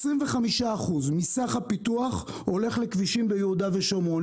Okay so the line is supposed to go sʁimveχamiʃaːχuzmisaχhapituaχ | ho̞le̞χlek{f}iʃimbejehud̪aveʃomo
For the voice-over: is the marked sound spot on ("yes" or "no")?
no